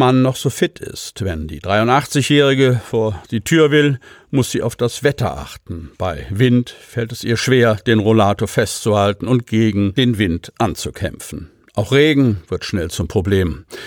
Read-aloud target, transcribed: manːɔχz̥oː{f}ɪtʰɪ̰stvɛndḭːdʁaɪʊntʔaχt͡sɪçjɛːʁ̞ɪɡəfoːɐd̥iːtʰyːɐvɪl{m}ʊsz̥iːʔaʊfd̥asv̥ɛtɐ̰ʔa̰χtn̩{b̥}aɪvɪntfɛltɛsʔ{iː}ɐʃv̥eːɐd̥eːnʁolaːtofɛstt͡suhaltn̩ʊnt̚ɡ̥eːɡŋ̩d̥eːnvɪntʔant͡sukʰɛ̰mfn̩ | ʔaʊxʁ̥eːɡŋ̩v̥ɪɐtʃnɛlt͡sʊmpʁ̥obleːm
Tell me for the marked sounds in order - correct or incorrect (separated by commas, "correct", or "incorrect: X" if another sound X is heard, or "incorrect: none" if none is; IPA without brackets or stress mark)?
correct, correct, correct, correct